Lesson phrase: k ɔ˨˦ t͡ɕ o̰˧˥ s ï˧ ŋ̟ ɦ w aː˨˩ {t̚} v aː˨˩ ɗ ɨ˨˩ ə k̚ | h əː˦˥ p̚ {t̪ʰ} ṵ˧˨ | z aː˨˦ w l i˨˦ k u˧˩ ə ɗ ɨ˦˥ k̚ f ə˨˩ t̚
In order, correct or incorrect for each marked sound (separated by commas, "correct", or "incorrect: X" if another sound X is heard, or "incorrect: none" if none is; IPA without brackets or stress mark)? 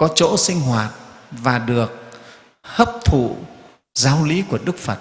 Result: correct, correct